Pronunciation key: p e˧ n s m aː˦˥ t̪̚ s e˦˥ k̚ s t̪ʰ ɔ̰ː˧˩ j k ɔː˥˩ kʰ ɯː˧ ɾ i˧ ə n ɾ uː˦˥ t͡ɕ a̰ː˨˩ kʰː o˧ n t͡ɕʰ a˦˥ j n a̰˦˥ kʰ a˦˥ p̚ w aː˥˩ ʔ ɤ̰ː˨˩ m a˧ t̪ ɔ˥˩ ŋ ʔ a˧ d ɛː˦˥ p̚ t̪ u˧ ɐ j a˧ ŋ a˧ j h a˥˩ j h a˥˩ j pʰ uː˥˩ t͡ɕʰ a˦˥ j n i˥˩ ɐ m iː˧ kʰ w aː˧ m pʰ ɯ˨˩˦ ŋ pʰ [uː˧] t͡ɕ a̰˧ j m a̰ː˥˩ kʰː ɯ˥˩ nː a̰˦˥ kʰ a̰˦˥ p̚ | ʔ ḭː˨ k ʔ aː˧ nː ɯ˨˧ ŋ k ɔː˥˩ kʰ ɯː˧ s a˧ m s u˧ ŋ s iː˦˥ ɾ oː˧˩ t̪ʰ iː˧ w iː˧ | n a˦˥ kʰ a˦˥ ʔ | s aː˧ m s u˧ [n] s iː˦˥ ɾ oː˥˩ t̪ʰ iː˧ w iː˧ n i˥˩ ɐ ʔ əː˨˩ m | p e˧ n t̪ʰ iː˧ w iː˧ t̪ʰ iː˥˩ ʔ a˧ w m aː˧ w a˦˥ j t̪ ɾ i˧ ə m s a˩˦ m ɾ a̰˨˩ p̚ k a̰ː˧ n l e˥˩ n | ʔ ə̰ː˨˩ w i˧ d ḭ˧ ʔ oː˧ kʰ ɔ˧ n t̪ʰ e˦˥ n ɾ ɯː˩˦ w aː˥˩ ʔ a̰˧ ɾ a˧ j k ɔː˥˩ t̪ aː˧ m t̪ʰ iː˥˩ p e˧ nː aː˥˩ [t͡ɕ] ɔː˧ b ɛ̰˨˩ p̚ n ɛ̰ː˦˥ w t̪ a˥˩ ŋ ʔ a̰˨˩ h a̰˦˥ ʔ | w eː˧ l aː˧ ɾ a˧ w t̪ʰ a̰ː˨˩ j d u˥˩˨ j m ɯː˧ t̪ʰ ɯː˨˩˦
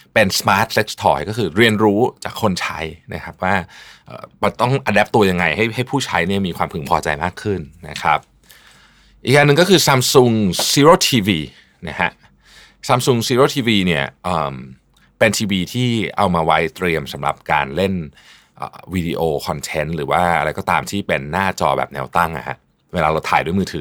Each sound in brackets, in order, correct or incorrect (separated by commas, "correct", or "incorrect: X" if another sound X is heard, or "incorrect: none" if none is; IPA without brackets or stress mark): incorrect: ɔː˧, incorrect: ŋ, correct